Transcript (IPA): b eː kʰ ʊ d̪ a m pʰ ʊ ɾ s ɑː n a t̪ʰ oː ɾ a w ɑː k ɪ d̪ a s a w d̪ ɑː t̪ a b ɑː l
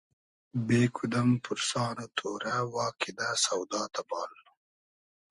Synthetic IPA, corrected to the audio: b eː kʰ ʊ d̪ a m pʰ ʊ ɾ s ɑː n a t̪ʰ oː ɾ a w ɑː k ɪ d̪ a s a w d̪ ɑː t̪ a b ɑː l